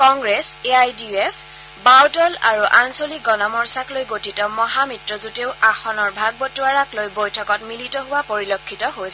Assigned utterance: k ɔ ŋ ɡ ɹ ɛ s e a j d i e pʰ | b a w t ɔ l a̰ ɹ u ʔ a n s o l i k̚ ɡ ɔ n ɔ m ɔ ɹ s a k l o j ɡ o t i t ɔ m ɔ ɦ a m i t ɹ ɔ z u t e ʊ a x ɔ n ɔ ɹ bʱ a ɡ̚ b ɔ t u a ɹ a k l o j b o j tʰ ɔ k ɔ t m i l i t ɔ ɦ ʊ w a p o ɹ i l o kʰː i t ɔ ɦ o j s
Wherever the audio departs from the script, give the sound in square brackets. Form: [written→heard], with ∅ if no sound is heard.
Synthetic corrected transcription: k ɔ ŋ ɡ ɹ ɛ s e a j d i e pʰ | b a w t ɔ l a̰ ɹ u ʔ a n s o l i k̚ ɡ ɔ n ɔ m ɔ ɹ s a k l o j ɡ o t i t ɔ m ɔ ɦ a m i t ɹ ɔ z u t e ʊ a x ɔ n ɔ ɹ bʱ a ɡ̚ b ɔ t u a ɹ a k l o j b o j tʰ ɔ k ɔ t m i l i t ɔ ɦ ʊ w a p o ɹ i l o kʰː i t ɔ ɦ o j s

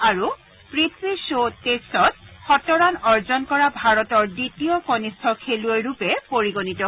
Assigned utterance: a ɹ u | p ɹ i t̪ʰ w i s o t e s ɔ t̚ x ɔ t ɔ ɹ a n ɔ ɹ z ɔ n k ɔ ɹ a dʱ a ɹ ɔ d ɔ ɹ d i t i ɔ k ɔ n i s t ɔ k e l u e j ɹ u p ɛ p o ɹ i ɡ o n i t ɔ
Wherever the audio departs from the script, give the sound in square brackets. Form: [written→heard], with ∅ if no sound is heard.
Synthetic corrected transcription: a ɹ u | p ɹ i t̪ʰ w i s o t e s ɔ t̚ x ɔ t ɔ ɹ a n ɔ ɹ z ɔ n k ɔ ɹ a [dʱ→bʱ] a ɹ ɔ [d→t] ɔ ɹ d i t i ɔ k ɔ n i s [t→tʰ] ɔ [k→kʰ] e l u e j ɹ u p ɛ p o ɹ i ɡ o n i t ɔ

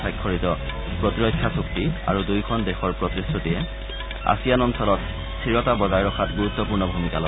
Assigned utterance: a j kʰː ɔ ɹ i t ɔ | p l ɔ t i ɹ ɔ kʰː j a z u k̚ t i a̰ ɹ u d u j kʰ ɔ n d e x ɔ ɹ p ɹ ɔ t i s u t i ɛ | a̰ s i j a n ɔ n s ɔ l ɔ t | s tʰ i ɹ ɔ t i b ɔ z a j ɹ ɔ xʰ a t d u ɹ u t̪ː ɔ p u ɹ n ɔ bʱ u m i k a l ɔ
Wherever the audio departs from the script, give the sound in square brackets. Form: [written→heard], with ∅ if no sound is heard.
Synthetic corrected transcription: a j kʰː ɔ ɹ i t ɔ | p [l→ɹ] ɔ t i ɹ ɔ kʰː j a [z→s] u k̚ t i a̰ ɹ u d u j kʰ ɔ n d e x ɔ ɹ p ɹ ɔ t i s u t i ɛ | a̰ s i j a n ɔ n s ɔ l ɔ t | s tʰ i ɹ ɔ t [i→a] b ɔ z a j ɹ ɔ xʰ a t [d→ɡ] u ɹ u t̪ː ɔ p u ɹ n ɔ bʱ u m i k a l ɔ

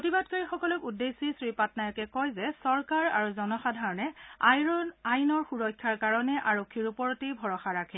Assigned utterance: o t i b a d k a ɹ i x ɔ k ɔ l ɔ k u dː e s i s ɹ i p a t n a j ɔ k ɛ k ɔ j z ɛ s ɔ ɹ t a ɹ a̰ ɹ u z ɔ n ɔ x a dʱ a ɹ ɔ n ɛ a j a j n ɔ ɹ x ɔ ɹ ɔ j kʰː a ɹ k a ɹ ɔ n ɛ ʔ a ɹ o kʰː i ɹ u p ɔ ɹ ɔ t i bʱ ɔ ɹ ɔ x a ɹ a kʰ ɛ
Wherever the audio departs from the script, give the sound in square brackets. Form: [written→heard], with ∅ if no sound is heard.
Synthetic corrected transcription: o t i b a d k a ɹ i x ɔ k ɔ l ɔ k u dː e s i s ɹ i p a t n a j ɔ k ɛ k ɔ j z ɛ s ɔ ɹ [t→k] a ɹ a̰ ɹ u z ɔ n ɔ x a dʱ a ɹ ɔ n ɛ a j a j n ɔ ɹ x [ɔ→u] ɹ ɔ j kʰː a ɹ k a ɹ ɔ n ɛ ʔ a ɹ o kʰː i ɹ u p ɔ ɹ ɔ t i bʱ ɔ ɹ ɔ x a ɹ a kʰ ɛ

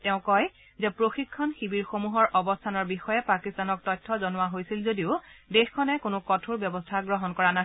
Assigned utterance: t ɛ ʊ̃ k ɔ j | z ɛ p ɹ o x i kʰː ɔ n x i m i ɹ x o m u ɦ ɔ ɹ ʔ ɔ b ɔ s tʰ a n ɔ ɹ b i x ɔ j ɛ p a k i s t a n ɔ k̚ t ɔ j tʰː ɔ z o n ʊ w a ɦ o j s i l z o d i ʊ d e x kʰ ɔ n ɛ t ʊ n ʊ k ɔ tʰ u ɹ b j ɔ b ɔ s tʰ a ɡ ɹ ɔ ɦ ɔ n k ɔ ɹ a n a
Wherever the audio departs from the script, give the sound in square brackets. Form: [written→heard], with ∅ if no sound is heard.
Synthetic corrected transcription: t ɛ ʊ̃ k ɔ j | z ɛ p ɹ o x i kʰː ɔ n x i [m→b] i ɹ x o m u ɦ ɔ ɹ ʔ ɔ b ɔ s tʰ a n ɔ ɹ b i x ɔ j ɛ p a k i s t a n ɔ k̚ t ɔ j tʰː ɔ z [o→ɔ] n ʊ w a ɦ o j s i l z o d i ʊ d e x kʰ ɔ n ɛ [t→k] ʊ n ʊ k ɔ tʰ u ɹ b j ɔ b ɔ s tʰ a ɡ ɹ ɔ ɦ ɔ n k ɔ ɹ a n a

